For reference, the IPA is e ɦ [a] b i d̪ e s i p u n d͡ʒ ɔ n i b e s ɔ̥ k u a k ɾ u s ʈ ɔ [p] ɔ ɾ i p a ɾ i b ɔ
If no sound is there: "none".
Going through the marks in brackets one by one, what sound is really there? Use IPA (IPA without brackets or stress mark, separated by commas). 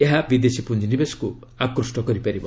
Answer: a, k